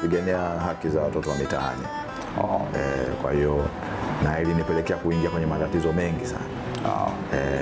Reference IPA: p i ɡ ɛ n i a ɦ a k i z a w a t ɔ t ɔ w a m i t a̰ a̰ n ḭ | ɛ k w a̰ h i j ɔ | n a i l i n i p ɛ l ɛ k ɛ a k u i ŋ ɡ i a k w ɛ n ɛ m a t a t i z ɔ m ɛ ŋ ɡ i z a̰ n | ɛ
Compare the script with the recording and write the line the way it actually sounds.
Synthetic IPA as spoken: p i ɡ ɛ n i a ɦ a k i z a w a t ɔ t ɔ w a m i t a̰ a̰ n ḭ | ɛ k w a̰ h i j ɔ | n a i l i n i p ɛ l ɛ k ɛ a k u i ŋ ɡ i a k w ɛ ɲ ɛ m a t a t i z ɔ m ɛ ŋ ɡ i s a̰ n | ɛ